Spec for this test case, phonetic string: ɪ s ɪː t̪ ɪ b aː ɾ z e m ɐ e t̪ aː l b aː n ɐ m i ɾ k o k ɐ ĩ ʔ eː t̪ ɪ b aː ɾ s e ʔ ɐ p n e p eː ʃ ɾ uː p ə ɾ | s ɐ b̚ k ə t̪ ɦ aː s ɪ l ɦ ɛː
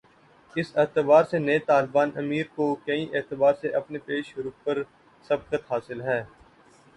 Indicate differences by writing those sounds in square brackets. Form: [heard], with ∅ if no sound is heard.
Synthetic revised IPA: ɪ s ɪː t̪ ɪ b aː ɾ [s] e [n] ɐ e t̪ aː l b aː n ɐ m [iː] ɾ k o k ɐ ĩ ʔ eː t̪ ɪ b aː ɾ s e ʔ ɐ p n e p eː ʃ ɾ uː p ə ɾ | s ɐ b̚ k ə t̪ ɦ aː s ɪ l ɦ ɛː